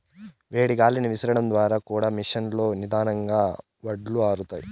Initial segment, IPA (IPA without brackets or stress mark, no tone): ʋ